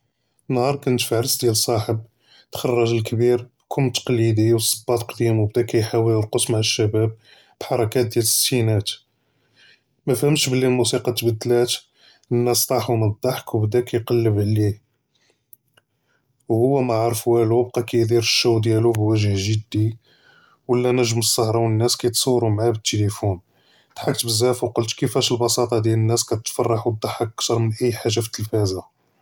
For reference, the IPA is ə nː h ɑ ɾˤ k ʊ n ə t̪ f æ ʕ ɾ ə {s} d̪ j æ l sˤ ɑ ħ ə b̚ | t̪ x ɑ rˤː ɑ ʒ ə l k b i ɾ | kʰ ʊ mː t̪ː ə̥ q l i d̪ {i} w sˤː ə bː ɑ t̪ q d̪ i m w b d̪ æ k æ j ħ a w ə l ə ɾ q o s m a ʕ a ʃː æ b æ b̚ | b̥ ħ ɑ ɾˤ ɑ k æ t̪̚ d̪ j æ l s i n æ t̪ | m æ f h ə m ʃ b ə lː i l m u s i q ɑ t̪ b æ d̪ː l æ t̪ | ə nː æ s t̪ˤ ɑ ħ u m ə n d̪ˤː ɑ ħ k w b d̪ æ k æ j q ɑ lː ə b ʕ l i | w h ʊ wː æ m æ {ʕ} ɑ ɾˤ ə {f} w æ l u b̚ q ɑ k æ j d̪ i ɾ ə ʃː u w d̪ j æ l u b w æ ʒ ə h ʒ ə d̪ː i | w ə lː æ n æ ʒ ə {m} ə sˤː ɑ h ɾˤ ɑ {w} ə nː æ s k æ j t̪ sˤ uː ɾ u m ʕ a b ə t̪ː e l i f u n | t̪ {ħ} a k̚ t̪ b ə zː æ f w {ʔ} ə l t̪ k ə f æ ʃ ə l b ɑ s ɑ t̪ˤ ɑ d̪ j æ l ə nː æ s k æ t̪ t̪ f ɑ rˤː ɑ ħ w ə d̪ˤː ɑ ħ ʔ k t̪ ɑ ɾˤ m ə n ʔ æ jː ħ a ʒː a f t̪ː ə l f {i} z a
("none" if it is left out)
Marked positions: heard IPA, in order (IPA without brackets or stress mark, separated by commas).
s, i, ʕ, f, m, w, ħ, q, æ